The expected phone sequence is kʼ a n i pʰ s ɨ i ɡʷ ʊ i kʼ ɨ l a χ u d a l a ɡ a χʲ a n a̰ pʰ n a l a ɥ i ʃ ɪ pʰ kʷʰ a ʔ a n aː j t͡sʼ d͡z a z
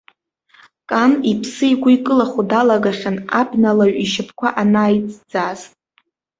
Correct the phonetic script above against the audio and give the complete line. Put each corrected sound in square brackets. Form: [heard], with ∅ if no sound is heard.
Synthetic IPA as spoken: kʼ a n i pʰ s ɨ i ɡʷ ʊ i kʼ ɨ l a χ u d a l a ɡ a χʲ a n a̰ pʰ n a l a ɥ i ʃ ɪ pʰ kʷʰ a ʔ a n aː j t͡sʼ d͡z a z